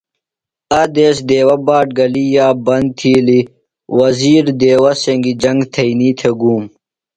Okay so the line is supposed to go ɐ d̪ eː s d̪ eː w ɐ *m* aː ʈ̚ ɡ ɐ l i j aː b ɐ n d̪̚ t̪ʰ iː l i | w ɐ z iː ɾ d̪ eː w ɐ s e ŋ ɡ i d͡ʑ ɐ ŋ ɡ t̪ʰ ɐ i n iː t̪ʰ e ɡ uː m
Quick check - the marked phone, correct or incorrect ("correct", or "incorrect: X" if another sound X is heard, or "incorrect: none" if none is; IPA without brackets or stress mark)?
incorrect: b